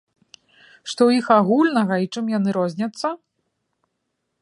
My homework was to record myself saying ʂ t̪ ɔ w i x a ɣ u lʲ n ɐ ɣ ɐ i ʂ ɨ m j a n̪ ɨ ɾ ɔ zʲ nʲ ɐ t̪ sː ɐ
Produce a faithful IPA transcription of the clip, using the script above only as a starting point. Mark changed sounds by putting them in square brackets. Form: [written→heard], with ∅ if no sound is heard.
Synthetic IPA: ʂ t̪ ɔ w i x a ɣ u lʲ n ɐ ɣ ɐ i [ʂ→t͡ʂ] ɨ m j a n̪ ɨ ɾ ɔ zʲ nʲ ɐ t̪ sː ɐ